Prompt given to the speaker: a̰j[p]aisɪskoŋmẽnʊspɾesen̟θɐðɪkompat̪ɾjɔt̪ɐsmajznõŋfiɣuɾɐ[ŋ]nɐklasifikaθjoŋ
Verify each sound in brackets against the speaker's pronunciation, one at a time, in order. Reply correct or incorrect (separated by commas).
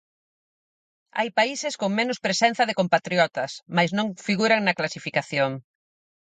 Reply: correct, correct